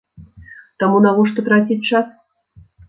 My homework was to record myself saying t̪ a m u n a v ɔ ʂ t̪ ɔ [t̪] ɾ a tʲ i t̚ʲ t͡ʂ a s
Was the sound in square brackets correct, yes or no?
yes